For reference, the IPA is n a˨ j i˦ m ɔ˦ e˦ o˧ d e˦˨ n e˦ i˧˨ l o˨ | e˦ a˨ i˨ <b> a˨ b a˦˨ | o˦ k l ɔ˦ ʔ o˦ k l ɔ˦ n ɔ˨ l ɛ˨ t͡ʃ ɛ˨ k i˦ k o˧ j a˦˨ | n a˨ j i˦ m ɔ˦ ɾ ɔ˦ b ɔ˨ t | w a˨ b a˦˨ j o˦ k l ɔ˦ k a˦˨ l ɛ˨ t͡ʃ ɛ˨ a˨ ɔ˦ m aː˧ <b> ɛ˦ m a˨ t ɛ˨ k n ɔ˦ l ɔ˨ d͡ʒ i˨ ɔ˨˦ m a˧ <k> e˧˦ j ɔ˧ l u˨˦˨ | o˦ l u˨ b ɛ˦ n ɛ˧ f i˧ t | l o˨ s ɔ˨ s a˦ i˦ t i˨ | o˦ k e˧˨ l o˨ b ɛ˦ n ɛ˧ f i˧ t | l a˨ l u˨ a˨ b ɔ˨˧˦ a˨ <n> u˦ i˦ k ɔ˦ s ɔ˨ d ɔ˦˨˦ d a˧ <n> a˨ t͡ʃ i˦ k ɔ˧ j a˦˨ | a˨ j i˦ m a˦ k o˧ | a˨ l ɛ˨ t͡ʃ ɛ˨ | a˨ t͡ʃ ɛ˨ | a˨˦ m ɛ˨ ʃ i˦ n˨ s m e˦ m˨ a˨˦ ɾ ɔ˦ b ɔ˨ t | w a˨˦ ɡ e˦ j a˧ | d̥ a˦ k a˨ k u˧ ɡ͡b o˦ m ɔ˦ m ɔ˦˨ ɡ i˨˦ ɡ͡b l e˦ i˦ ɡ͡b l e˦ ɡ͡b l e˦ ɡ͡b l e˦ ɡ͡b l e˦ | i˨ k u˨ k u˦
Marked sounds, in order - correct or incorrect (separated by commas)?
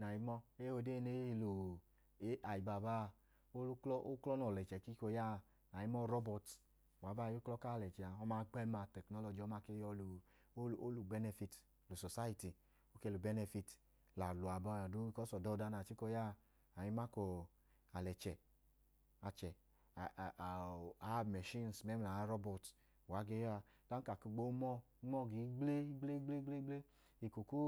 correct, incorrect, correct, incorrect, correct